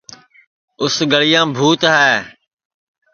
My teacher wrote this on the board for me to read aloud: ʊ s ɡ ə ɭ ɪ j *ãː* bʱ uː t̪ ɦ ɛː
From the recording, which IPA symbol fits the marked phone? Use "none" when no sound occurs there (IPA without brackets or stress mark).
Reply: ãː